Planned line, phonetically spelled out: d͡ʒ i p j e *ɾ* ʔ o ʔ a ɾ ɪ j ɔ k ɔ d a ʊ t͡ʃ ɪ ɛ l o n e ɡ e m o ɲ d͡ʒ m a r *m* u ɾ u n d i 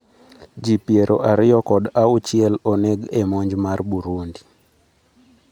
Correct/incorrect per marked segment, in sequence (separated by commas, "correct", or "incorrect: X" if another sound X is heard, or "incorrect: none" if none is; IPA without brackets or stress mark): correct, incorrect: b